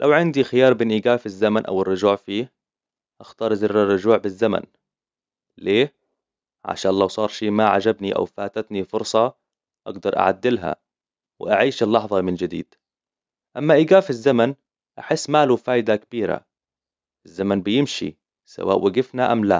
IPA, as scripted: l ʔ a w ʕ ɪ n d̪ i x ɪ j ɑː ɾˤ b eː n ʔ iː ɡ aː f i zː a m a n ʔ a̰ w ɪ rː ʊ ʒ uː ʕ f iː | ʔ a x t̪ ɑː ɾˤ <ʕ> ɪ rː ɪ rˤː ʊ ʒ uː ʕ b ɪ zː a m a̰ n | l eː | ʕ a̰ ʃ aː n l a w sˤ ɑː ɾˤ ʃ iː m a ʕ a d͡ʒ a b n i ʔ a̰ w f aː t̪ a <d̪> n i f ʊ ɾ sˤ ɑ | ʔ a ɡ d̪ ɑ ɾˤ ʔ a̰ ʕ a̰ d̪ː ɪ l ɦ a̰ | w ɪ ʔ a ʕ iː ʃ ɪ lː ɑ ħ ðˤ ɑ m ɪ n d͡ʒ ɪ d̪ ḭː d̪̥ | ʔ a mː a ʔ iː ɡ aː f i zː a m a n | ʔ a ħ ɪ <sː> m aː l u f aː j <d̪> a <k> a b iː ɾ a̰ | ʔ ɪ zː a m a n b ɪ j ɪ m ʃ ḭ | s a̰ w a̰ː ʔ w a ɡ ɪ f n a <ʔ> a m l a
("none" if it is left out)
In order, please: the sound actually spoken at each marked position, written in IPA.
z, t̪, sː, d̪, k, ʔ

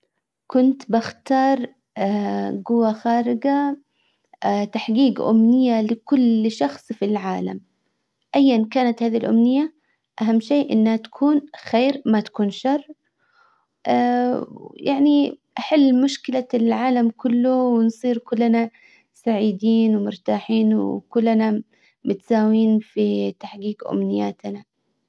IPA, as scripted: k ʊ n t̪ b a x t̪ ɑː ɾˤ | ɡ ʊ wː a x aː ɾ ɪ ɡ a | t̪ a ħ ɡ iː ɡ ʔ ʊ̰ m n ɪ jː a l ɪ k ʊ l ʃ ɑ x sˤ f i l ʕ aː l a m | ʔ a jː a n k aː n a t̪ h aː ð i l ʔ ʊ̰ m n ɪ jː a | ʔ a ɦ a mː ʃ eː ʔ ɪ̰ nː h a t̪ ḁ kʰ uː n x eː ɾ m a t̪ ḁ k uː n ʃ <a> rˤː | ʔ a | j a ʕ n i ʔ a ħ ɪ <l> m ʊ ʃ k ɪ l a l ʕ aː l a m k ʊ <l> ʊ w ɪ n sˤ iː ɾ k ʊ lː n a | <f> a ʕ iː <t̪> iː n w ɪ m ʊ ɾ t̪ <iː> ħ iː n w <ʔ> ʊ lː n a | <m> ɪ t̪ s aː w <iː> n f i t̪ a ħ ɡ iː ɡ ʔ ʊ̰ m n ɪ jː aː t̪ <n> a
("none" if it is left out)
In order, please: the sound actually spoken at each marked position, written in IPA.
ɑ, lː, lː, s, d̪, aː, k, m, iː, n

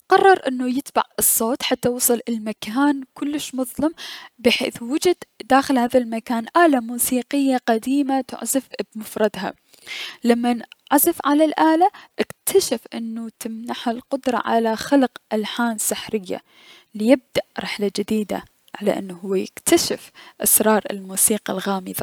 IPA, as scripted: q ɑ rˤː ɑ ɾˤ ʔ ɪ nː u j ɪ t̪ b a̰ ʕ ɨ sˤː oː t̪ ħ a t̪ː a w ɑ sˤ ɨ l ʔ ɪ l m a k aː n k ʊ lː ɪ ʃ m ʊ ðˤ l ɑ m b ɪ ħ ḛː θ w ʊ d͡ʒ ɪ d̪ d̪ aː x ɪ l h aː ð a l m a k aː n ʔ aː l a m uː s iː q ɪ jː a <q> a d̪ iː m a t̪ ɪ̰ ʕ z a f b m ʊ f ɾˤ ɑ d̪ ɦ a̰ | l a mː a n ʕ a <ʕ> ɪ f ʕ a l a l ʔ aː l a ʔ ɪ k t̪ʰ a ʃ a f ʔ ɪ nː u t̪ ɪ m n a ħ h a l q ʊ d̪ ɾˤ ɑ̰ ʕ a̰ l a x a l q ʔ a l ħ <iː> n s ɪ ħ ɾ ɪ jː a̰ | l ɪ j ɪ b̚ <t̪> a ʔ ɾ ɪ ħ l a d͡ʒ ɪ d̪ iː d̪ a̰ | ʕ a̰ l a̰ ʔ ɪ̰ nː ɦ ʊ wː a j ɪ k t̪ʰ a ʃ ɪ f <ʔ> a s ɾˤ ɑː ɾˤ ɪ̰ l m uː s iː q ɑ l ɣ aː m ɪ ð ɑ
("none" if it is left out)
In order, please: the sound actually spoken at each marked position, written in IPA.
q, z, aː, d̪, ʔ

